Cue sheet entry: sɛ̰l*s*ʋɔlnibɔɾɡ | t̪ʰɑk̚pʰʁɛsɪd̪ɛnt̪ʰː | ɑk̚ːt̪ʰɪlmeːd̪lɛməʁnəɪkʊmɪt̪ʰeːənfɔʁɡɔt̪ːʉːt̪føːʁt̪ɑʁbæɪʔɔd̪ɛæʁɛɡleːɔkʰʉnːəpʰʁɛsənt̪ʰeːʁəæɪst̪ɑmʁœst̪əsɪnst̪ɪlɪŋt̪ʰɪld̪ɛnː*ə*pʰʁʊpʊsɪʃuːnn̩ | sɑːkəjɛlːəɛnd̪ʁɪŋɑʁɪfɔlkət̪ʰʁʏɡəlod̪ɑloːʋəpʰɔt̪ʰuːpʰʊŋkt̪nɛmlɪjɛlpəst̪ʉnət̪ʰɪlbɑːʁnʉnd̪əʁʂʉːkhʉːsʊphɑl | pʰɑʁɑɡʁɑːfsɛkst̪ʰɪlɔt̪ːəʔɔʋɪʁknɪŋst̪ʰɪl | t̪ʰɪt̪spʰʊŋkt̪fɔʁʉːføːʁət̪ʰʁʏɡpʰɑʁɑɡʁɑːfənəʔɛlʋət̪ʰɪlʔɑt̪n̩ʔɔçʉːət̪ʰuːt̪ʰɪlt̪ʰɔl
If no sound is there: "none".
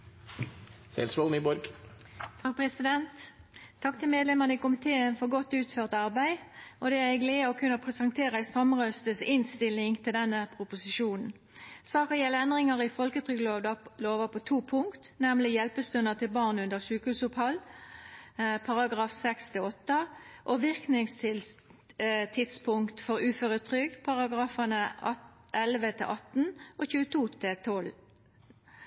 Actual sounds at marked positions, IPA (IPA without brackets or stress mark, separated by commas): s, ə